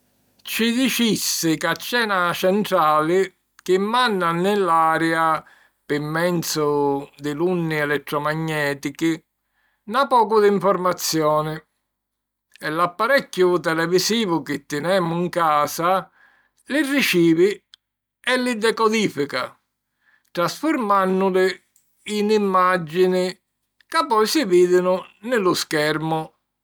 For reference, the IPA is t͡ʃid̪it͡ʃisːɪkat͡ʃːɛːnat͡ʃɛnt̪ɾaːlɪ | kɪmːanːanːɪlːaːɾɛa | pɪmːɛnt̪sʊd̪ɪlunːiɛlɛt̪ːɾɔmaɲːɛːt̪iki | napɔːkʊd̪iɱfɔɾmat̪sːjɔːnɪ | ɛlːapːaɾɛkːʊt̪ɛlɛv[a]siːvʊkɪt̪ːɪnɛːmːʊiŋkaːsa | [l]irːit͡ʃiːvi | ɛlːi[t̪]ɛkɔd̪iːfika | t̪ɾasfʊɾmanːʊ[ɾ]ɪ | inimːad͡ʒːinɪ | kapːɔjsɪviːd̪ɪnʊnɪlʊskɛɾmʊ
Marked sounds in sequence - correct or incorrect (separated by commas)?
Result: incorrect, correct, incorrect, incorrect